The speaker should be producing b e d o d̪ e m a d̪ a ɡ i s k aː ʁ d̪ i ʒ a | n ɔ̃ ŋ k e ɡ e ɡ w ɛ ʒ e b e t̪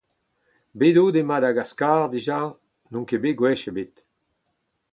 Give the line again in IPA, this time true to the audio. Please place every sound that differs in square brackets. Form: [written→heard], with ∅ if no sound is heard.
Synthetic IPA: b e d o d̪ e m a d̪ a ɡ [i→a] s k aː ʁ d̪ i ʒ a | n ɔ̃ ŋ k e [ɡ→b] e ɡ w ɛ [ʒ→ʃ] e b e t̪